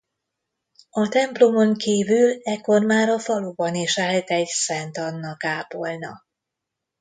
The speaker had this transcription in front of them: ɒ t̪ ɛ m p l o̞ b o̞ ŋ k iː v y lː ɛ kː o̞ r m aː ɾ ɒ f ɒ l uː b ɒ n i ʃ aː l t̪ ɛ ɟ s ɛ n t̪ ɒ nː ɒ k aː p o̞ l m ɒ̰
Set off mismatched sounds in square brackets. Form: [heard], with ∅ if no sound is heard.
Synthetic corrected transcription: ɒ t̪ ɛ m p l o̞ [m] o̞ ŋ k iː v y [l] ɛ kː o̞ r m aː ɾ ɒ f ɒ l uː b ɒ n i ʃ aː l t̪ ɛ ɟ s ɛ n t̪ ɒ nː ɒ k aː p o̞ l [n] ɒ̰

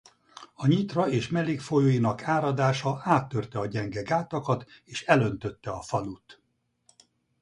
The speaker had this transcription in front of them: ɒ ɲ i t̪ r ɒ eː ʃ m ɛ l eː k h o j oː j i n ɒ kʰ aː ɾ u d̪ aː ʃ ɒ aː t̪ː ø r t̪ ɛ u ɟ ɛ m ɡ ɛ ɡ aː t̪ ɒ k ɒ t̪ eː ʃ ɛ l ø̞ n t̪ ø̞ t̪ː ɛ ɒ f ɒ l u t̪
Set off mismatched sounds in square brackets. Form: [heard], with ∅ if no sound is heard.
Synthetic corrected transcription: ɒ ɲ i t̪ r ɒ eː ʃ m ɛ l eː k [f] o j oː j i n ɒ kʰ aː ɾ [ɒ] d̪ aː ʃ ɒ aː t̪ː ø r t̪ ɛ [ɒ] ɟ ɛ [ŋ] ɡ ɛ ɡ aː t̪ ɒ k ɒ t̪ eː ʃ ɛ l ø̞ n t̪ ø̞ t̪ː ɛ ɒ f ɒ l u t̪

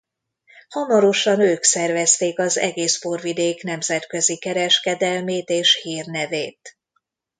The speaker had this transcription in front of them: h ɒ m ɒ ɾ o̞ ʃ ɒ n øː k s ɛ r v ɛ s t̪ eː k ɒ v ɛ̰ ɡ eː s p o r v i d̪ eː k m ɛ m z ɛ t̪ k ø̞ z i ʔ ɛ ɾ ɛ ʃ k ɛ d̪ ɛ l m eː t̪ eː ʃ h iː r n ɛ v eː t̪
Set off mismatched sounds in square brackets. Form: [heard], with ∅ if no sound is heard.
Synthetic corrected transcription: h ɒ m ɒ ɾ o̞ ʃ ɒ n øː k s ɛ r v ɛ s t̪ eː k ɒ [z] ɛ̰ ɡ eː s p o r v i d̪ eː k [n] ɛ m z ɛ t̪ k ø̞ z i [k] ɛ ɾ ɛ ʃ k ɛ d̪ ɛ l m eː t̪ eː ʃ h iː r n ɛ v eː t̪

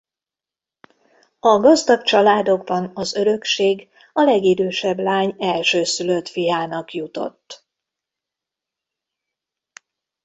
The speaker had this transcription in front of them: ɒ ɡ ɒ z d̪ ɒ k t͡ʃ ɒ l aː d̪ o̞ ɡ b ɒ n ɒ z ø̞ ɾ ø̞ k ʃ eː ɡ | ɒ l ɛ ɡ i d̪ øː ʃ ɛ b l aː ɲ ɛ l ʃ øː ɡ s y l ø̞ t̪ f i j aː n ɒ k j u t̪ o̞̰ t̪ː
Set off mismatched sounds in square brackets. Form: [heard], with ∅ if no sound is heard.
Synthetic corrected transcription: ɒ ɡ ɒ z d̪ ɒ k t͡ʃ ɒ l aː d̪ o̞ ɡ b ɒ n ɒ z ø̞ ɾ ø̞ k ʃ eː ɡ | ɒ l ɛ ɡ i d̪ øː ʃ ɛ b l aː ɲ ɛ l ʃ øː [∅] s y l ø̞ t̪ f i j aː n ɒ k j u t̪ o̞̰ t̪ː

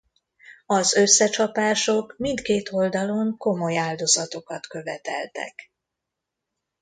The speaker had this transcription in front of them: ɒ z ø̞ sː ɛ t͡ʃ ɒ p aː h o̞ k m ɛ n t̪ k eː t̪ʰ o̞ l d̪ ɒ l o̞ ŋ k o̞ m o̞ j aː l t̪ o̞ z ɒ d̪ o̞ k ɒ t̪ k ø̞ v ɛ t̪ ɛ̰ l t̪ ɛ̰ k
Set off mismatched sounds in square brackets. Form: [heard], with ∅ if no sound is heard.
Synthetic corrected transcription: ɒ z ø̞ sː ɛ t͡ʃ ɒ p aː [ʃ] o̞ k m [i] n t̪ k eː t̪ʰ o̞ l d̪ ɒ l o̞ ŋ k o̞ m o̞ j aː l [d̪] o̞ z ɒ [t̪] o̞ k ɒ t̪ k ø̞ v ɛ t̪ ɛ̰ l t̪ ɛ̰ k

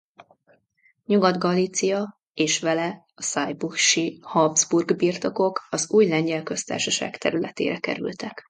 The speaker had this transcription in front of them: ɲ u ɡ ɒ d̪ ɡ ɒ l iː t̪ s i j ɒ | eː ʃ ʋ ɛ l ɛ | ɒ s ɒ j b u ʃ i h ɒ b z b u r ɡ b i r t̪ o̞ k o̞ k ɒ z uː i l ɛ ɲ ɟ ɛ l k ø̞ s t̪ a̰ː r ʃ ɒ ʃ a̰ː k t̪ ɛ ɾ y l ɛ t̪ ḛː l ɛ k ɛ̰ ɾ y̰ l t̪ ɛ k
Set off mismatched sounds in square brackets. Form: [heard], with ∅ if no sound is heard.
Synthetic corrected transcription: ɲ u ɡ ɒ d̪ ɡ ɒ l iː t̪ s i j ɒ | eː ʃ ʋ ɛ l ɛ | ɒ s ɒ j b u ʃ i h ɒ b z b u r ɡ b i r t̪ o̞ k o̞ k ɒ z uː [j] l ɛ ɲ ɟ ɛ l k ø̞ s t̪ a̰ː r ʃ ɒ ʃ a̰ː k t̪ ɛ ɾ y l ɛ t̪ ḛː [ɾ] ɛ k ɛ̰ ɾ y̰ l t̪ ɛ k

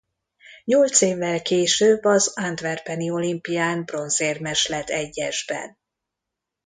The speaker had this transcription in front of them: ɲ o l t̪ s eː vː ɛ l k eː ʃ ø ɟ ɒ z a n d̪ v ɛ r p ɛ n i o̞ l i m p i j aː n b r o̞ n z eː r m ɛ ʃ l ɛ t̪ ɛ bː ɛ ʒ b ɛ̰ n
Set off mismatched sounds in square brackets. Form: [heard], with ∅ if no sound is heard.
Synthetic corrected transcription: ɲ o l t̪ s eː vː ɛ l k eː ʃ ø [b] ɒ z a n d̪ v ɛ r p ɛ n i o̞ l i m p i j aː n b r o̞ n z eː r m ɛ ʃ l ɛ t̪ ɛ [ɟː] ɛ ʒ b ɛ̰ n

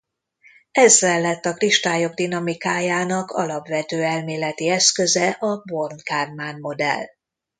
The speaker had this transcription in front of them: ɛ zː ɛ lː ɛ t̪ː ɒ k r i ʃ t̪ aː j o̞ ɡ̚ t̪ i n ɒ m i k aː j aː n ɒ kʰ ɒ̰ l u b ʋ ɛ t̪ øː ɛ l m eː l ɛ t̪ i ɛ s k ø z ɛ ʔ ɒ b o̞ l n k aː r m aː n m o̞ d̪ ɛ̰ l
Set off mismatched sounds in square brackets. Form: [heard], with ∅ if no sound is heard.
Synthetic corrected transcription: ɛ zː ɛ lː ɛ t̪ː ɒ k r i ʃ t̪ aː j o̞ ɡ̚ [d̪] i n ɒ m i k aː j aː n ɒ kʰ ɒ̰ l [ɒ] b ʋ ɛ t̪ øː ɛ l m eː l ɛ t̪ i ɛ s k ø z ɛ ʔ ɒ b o̞ [r] n k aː r m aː n m o̞ d̪ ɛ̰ l

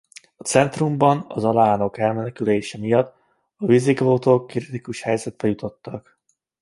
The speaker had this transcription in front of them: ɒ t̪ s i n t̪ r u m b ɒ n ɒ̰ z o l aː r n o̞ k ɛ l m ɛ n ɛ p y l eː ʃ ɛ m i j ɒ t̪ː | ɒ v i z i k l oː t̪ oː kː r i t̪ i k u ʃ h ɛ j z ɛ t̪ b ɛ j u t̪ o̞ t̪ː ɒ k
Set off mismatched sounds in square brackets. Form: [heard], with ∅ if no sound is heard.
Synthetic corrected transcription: ɒ t̪ s [ɛ] n t̪ r u m b ɒ n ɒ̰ z [ɒ] l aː [∅] n o̞ k ɛ l m ɛ n ɛ [k] y l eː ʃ ɛ m i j ɒ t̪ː | ɒ v i z i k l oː t̪ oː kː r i t̪ i k u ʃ h ɛ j z ɛ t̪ b ɛ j u t̪ o̞ t̪ː ɒ k

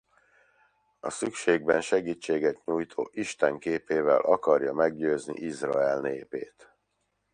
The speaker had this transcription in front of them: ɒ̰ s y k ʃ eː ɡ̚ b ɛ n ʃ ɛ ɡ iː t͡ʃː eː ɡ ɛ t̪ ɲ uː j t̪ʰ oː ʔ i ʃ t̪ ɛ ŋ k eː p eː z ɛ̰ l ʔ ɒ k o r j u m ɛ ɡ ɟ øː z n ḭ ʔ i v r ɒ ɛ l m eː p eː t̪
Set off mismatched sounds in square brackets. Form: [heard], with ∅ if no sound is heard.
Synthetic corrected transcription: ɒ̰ s y k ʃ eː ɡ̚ b ɛ n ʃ ɛ ɡ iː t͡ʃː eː ɡ ɛ t̪ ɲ uː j t̪ʰ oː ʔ i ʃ t̪ ɛ ŋ k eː p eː [v] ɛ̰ l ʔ ɒ k [ɒ] r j [ɒ] m ɛ ɡ ɟ øː z n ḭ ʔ i [z] r ɒ ɛ l [n] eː p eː t̪

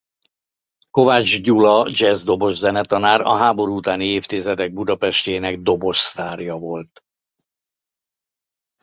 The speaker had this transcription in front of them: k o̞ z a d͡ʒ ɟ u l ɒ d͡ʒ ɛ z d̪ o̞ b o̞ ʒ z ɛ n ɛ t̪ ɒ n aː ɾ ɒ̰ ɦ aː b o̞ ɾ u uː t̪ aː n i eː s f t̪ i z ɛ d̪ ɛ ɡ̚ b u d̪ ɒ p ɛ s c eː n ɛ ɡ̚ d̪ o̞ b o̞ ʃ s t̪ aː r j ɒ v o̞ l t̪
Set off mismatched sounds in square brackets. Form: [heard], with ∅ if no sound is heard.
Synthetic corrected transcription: k o̞ [v] a d͡ʒ ɟ u l ɒ d͡ʒ ɛ z d̪ o̞ b o̞ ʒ z ɛ n ɛ t̪ ɒ n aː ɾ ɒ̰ ɦ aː b o̞ ɾ u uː t̪ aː n i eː [∅] f t̪ i z ɛ d̪ ɛ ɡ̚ b u d̪ ɒ p ɛ [ʃ] c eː n ɛ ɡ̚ d̪ o̞ b o̞ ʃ s t̪ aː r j ɒ v o̞ l t̪

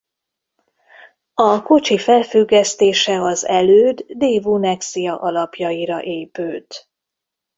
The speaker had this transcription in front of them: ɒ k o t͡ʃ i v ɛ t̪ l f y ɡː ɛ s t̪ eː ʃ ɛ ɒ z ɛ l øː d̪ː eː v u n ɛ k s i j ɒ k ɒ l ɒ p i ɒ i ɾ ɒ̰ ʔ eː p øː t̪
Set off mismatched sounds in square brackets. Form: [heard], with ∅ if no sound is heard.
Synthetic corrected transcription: ɒ k o t͡ʃ i [f] ɛ [∅] l f y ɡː ɛ s t̪ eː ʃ ɛ ɒ z ɛ l øː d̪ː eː v u n ɛ k s i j ɒ [ʔ] ɒ l ɒ p [j] ɒ i ɾ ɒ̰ ʔ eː p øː t̪

